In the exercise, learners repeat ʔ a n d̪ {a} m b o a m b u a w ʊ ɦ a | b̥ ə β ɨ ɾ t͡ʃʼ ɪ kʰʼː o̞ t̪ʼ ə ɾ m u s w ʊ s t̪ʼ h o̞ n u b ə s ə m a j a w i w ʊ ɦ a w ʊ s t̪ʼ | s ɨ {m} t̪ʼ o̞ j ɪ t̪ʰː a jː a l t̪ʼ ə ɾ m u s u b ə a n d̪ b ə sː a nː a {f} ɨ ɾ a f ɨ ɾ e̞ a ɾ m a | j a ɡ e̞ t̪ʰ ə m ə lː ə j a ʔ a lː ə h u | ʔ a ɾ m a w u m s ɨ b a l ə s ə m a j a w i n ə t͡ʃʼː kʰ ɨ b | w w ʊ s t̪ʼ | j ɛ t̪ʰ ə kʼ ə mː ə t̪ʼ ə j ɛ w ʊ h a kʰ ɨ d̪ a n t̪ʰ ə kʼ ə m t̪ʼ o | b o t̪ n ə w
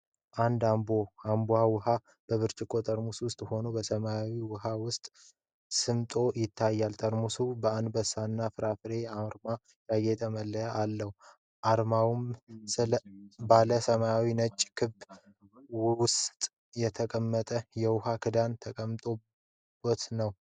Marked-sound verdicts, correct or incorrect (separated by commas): correct, correct, correct